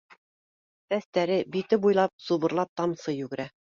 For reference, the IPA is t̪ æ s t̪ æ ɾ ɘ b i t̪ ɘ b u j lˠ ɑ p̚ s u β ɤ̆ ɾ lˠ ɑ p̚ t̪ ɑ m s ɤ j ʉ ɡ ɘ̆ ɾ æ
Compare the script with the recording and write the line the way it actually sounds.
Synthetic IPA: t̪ æ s t̪ æ ɾ ɘ b i t̪ ɘ b u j lˠ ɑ p̚ s u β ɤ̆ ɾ lˠ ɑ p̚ t̪ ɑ m s ɤ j ʉ ɡ ɘ̆ ɾ æ